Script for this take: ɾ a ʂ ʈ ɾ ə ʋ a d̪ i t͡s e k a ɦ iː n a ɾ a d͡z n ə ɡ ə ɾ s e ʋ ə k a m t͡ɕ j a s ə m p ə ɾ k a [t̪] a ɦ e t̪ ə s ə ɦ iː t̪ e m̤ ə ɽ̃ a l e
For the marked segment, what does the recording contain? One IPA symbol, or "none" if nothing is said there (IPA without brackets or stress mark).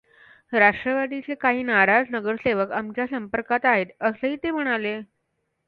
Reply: t̪